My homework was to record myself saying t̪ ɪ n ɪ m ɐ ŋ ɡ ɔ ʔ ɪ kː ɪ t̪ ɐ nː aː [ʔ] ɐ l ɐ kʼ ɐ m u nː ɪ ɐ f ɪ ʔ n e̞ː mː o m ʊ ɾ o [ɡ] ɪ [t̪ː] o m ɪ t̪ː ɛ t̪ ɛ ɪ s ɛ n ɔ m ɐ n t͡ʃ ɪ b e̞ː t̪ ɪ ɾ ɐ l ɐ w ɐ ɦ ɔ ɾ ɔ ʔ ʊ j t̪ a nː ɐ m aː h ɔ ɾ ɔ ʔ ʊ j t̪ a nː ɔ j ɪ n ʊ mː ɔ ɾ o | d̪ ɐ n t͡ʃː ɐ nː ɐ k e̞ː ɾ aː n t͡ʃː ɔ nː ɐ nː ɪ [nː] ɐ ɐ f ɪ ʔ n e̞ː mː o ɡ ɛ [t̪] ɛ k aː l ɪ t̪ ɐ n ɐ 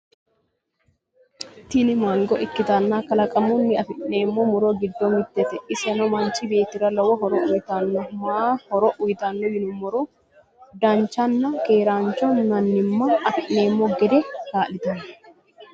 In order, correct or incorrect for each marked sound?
incorrect: k, correct, incorrect: d̪ː, incorrect: mː, incorrect: d̪

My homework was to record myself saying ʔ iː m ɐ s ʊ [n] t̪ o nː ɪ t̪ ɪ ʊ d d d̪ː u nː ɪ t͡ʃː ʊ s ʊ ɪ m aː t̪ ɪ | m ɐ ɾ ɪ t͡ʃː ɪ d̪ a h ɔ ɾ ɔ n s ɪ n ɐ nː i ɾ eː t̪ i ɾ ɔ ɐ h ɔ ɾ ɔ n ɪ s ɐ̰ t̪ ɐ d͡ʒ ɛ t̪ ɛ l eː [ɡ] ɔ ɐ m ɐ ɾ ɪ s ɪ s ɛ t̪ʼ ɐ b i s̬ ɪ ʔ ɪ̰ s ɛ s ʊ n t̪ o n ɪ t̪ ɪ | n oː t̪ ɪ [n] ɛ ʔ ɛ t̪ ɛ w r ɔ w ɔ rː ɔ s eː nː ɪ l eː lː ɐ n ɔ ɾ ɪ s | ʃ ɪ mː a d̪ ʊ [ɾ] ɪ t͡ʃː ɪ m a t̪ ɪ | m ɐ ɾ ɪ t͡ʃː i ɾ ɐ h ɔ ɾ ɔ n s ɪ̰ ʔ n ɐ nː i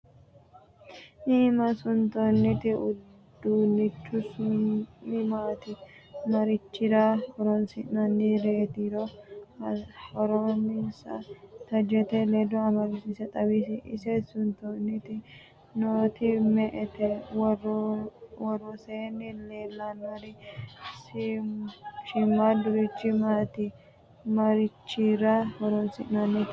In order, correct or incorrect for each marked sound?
correct, incorrect: d, incorrect: m, correct

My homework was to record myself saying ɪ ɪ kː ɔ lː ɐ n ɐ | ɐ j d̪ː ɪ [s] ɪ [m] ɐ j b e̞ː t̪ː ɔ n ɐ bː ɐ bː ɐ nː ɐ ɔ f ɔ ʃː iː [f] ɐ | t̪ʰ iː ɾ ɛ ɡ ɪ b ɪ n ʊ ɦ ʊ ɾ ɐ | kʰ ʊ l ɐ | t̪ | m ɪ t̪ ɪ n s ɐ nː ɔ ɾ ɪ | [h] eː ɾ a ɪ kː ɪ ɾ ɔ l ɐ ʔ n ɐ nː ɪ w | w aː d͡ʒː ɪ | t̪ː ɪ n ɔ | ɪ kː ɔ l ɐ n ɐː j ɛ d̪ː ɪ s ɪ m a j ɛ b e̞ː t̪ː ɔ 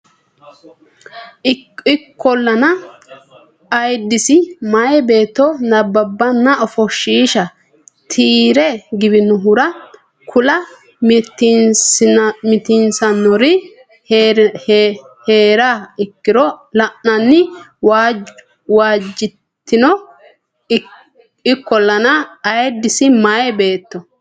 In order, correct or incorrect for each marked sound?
correct, correct, incorrect: ʃ, correct

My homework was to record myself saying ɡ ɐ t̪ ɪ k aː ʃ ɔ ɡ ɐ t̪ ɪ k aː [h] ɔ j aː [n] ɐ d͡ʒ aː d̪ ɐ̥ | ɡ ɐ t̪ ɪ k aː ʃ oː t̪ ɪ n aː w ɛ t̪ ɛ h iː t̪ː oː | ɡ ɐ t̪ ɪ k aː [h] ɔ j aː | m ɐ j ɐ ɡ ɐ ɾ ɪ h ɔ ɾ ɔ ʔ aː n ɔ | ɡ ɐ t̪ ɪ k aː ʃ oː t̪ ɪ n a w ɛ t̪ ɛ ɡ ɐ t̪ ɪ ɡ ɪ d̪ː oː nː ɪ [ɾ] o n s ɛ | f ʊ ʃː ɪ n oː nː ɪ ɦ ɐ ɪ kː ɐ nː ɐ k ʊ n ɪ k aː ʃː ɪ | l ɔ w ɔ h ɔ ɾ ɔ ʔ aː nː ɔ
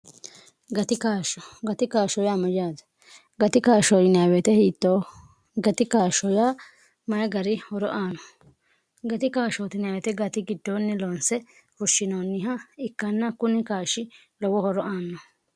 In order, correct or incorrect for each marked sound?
incorrect: ʃ, incorrect: m, incorrect: ʃ, incorrect: l

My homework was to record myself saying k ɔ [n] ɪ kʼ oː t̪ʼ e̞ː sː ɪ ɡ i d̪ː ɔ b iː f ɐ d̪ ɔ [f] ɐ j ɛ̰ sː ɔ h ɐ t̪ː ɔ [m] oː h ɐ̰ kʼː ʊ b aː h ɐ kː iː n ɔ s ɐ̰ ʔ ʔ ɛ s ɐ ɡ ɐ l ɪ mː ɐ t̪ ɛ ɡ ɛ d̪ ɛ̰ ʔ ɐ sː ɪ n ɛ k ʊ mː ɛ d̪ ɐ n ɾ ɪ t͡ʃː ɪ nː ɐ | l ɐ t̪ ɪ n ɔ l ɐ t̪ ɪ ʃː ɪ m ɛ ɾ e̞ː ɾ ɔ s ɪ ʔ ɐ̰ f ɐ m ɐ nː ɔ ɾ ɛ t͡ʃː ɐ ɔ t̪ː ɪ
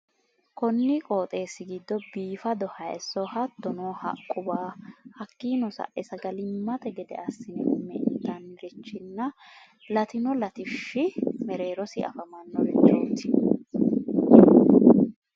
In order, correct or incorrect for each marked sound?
incorrect: nː, incorrect: h, incorrect: n

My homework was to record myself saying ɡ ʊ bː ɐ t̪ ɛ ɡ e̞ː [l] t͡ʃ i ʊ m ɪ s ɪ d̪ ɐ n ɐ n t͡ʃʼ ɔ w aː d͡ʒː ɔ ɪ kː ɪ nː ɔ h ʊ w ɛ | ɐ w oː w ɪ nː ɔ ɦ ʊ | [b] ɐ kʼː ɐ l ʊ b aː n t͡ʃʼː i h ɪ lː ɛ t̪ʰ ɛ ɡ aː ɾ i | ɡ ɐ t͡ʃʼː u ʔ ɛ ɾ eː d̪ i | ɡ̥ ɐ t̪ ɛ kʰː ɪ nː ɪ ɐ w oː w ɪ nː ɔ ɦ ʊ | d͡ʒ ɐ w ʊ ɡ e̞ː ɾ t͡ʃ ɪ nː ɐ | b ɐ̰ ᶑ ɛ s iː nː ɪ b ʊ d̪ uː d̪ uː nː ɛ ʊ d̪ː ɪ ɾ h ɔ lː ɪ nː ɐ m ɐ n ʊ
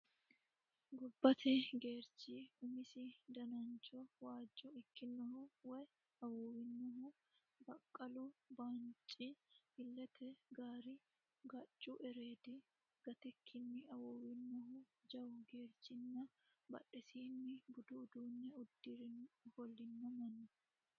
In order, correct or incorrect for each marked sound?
incorrect: ɾ, correct

